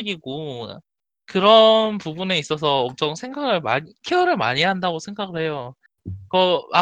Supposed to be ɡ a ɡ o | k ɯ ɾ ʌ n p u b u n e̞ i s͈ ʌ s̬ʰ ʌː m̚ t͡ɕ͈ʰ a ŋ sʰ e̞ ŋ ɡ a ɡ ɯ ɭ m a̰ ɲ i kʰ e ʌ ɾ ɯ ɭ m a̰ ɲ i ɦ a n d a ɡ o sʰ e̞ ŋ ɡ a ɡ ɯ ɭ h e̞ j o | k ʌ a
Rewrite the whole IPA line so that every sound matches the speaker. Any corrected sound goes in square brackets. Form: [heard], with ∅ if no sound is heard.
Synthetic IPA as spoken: ɡ [i] ɡ o | k ɯ ɾ ʌ n p u b u n e̞ i s͈ ʌ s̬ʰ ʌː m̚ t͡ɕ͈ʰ [ʌ] ŋ sʰ e̞ ŋ ɡ a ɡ ɯ ɭ m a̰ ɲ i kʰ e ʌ ɾ ɯ ɭ m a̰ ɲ i ɦ a n d a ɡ o sʰ e̞ ŋ ɡ a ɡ ɯ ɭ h e̞ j o | k ʌ a